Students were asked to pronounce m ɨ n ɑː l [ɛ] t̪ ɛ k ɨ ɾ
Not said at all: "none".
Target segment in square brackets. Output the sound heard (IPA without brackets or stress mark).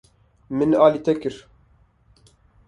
i